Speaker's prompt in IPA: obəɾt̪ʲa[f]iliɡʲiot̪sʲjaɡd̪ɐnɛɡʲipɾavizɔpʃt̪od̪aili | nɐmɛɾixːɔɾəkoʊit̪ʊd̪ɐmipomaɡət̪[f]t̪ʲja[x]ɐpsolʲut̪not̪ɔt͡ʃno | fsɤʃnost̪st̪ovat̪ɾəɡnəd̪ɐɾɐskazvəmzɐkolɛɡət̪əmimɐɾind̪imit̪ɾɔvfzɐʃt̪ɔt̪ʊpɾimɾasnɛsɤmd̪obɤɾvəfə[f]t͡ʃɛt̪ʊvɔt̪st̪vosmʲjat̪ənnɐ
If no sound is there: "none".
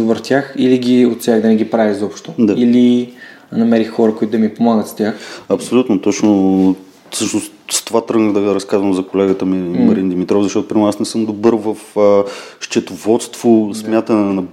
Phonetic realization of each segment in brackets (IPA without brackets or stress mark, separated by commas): x, s, x, ʃ